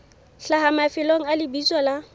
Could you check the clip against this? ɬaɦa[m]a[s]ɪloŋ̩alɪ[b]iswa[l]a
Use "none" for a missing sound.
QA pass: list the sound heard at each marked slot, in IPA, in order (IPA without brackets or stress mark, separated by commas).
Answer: m, f, b, l